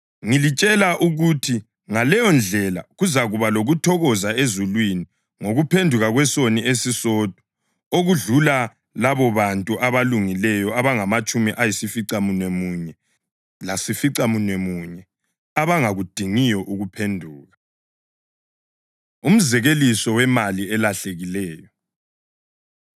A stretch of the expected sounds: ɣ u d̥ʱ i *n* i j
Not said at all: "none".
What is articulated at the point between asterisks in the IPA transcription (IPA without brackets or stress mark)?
ŋ